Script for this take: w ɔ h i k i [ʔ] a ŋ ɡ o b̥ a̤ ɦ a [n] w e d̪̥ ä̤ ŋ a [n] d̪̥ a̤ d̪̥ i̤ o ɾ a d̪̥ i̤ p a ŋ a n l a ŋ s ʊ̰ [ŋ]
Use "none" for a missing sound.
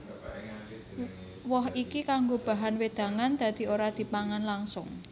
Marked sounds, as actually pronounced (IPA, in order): k, n, n, ŋ

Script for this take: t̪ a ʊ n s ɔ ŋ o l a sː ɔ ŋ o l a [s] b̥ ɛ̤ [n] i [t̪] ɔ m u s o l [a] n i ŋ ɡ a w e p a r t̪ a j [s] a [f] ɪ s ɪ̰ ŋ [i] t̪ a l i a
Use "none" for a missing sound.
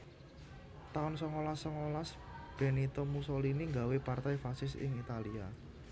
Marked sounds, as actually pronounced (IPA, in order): s, n, t̪, i, f, s, i

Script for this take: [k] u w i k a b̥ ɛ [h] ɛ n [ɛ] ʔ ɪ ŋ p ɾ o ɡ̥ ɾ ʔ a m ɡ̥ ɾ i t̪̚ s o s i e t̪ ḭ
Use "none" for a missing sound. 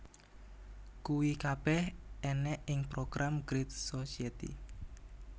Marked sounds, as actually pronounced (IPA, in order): k, h, ɛ

